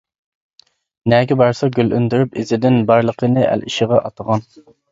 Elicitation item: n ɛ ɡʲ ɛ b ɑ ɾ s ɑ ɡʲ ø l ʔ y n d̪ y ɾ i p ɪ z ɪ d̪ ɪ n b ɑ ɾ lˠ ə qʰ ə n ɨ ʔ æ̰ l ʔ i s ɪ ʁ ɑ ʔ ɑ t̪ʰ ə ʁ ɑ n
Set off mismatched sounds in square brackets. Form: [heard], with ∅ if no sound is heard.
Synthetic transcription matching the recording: n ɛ ɡʲ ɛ b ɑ ɾ s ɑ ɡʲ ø l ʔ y n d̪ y ɾ [y] p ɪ z ɪ d̪ ɪ n b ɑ ɾ lˠ ə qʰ ə n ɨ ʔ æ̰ l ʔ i [ʃ] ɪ ʁ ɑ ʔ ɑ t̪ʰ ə ʁ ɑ n